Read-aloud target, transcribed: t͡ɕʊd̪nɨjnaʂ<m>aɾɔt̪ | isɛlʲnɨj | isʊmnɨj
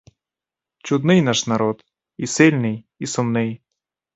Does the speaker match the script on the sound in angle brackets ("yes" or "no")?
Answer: no